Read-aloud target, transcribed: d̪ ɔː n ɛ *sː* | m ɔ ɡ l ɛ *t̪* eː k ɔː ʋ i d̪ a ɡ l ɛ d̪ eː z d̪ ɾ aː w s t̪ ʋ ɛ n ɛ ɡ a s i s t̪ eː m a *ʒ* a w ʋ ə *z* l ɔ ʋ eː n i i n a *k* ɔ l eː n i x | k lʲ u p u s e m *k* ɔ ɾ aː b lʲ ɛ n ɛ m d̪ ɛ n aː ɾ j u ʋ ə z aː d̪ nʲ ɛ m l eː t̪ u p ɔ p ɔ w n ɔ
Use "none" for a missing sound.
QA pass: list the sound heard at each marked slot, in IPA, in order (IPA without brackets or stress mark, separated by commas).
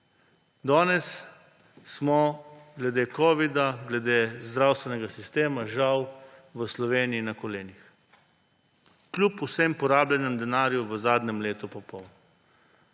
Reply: sː, d̪, ʒ, s, k, p